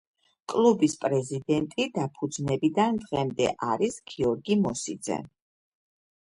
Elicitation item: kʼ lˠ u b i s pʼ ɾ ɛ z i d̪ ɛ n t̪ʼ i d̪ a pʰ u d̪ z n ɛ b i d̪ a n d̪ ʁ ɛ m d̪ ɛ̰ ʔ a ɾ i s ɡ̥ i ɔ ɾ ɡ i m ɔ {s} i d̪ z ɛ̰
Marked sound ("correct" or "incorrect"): correct